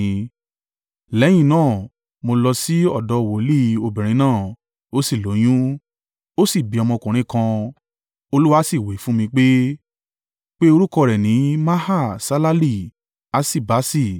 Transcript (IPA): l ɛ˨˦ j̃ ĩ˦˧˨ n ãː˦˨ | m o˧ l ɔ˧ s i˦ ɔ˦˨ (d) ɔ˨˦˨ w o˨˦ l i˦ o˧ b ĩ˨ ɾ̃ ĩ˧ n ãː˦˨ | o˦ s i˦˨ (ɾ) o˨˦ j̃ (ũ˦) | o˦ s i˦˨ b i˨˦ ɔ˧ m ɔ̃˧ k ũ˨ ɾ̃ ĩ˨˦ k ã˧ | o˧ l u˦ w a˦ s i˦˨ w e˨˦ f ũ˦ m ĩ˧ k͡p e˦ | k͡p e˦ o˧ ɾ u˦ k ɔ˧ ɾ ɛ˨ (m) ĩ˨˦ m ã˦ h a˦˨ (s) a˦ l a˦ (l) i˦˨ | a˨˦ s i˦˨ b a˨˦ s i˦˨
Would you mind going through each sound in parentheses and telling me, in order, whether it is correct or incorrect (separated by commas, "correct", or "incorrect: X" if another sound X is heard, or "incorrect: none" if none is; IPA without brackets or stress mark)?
correct, incorrect: l, correct, incorrect: n, correct, correct